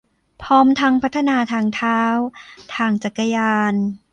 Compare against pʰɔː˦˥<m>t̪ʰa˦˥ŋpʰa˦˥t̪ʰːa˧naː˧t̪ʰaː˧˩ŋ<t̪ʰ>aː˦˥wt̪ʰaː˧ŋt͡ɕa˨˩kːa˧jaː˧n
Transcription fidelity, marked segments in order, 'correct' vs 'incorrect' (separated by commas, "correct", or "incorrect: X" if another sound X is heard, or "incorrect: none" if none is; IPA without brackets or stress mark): correct, correct